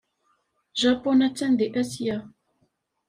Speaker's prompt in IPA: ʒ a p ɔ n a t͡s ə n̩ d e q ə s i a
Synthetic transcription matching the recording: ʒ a p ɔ n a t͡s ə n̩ d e ʔ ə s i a